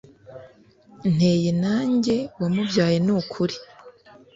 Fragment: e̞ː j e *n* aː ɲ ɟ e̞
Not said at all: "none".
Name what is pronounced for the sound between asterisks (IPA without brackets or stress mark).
n